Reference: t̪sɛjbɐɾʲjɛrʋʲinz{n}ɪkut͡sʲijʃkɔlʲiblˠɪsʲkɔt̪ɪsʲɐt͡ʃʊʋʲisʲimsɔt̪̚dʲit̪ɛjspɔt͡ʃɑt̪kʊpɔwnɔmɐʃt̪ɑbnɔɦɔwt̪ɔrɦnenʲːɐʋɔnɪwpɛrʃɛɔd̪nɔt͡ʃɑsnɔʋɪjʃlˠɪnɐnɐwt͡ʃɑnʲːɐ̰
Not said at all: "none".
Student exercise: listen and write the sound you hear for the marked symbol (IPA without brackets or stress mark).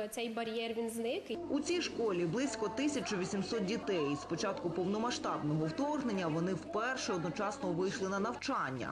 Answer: n